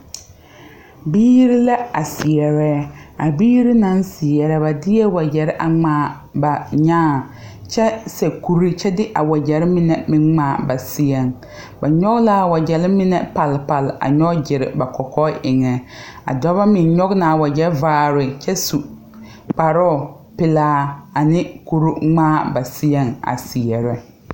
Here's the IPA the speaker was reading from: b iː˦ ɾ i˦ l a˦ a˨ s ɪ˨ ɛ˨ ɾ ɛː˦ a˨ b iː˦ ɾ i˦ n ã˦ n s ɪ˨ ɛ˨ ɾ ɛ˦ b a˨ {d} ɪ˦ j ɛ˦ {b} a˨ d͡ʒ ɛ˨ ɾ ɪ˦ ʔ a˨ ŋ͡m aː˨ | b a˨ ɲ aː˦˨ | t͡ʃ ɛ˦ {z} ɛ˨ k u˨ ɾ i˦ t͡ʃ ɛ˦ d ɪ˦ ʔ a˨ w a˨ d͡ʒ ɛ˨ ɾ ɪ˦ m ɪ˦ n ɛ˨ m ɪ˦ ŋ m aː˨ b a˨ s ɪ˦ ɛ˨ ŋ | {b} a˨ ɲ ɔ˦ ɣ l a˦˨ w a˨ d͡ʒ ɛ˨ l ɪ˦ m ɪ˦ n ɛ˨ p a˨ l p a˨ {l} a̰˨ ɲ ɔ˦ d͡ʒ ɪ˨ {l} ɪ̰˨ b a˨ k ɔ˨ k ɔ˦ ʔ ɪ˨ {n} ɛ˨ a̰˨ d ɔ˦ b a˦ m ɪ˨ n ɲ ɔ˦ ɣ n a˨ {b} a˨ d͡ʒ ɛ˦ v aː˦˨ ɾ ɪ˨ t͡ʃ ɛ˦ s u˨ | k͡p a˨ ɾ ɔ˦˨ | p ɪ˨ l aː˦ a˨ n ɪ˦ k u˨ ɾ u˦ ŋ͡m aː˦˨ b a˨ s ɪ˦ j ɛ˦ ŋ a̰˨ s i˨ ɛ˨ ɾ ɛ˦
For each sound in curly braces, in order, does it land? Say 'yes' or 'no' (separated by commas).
yes, no, no, yes, yes, no, no, no